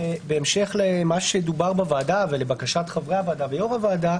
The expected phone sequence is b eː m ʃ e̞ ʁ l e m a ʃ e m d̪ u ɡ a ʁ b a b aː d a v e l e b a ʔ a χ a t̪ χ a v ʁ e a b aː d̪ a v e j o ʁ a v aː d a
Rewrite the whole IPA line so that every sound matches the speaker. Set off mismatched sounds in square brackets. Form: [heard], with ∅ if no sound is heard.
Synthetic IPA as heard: b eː m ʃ e̞ [χ] l e m a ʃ e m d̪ u [b] a ʁ b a [v] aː d a v e l e b a [k] a [ʃ] a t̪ χ a v ʁ e a [v] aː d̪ a v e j o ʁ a v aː d a